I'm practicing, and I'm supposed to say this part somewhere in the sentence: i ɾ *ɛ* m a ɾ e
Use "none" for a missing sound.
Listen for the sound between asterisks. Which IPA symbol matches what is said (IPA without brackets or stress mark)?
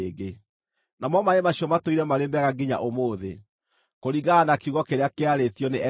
ɛ